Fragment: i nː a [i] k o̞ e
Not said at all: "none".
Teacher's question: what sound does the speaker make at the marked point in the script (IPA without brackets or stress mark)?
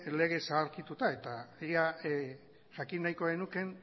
j